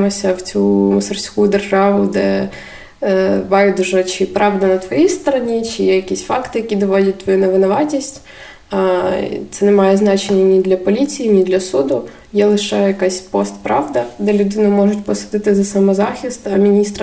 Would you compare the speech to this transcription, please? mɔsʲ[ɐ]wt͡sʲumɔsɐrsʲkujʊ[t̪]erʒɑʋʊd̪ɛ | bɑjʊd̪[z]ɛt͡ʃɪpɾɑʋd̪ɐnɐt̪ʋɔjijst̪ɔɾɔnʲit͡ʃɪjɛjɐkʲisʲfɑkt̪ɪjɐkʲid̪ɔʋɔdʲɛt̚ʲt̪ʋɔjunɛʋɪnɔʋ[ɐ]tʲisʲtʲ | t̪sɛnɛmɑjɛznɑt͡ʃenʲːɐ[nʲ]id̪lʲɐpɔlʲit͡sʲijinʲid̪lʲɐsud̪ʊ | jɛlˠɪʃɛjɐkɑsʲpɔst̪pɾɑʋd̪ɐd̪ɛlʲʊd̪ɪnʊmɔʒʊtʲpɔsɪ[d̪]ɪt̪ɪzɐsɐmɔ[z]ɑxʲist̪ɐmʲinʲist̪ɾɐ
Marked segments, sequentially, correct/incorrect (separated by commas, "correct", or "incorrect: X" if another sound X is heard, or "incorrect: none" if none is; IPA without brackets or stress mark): correct, incorrect: d̪, incorrect: ʒ, incorrect: ɑ, correct, correct, correct